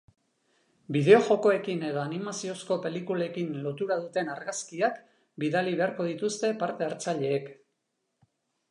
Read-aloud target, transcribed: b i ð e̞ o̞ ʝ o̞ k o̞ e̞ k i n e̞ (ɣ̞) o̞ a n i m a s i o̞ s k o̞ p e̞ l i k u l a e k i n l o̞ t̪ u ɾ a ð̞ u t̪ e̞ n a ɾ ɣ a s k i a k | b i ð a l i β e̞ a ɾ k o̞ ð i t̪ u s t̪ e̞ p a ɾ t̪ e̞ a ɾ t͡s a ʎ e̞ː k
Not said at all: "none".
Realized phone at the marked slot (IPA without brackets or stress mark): ð̞